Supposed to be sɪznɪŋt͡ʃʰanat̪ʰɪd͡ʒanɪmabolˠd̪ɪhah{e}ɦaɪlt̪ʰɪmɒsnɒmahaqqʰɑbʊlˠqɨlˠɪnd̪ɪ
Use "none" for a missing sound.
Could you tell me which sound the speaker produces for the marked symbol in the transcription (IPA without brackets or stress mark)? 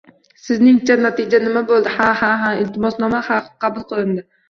a